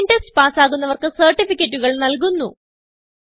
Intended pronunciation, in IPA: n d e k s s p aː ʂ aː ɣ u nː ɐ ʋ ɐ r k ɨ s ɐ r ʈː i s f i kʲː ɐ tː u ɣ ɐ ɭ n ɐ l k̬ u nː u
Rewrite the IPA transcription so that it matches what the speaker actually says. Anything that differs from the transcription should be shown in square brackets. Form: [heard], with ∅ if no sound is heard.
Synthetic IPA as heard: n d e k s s p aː [s] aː ɣ u nː ɐ ʋ ɐ r k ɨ s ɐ r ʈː i [∅] f i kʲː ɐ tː u ɣ ɐ ɭ n ɐ l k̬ u nː u